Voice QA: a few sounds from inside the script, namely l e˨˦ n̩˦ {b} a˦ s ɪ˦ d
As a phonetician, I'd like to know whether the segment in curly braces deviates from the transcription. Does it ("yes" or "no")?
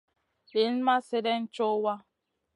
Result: yes